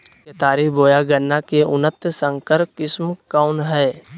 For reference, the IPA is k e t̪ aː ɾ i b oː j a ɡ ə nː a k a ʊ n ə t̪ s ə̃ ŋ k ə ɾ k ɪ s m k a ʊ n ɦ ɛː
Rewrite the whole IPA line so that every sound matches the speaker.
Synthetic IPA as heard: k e t̪ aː ɾ i b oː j a ɡ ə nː a k e ʊ n ə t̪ s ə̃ ŋ k ə ɾ k ɪ s m k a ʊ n ɦ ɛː